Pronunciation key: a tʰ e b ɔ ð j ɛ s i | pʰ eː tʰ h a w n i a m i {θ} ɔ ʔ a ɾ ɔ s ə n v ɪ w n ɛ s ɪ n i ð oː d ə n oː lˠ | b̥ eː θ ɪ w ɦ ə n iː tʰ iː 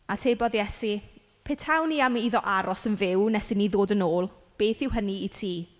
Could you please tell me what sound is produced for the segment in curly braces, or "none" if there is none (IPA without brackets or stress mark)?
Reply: ð